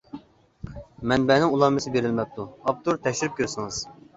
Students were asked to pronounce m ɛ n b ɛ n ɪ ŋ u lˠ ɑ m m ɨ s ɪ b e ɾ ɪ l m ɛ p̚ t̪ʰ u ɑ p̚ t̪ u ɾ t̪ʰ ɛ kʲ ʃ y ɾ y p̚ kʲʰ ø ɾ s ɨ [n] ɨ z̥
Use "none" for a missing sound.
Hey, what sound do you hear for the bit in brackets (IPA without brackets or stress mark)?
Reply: ŋ